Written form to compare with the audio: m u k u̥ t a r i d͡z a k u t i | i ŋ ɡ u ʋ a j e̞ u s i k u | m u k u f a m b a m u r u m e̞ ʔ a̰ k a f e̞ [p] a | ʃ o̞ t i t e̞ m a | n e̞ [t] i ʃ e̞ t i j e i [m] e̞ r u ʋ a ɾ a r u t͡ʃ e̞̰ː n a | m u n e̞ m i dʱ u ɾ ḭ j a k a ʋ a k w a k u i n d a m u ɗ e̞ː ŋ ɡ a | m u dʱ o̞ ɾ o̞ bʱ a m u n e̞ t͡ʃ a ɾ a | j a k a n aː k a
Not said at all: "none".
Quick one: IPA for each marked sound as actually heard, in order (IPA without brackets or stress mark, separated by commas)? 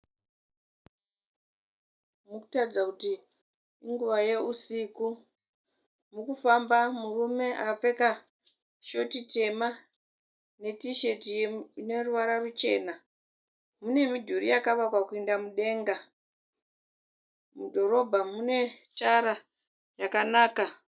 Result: k, t, n